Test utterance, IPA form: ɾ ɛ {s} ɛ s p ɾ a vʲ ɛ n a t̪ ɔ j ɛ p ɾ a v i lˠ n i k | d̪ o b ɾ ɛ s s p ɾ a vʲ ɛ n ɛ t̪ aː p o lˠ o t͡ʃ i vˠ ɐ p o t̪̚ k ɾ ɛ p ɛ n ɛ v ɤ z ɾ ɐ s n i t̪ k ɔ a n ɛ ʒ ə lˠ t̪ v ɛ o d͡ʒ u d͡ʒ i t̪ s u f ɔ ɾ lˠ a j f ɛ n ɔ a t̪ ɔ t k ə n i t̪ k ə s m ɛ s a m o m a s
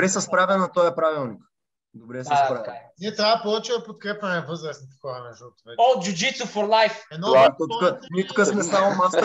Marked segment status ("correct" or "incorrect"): correct